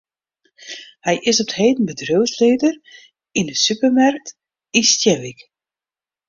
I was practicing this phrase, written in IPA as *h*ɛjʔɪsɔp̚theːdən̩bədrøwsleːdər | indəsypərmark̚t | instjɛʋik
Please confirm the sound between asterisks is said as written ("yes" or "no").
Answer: yes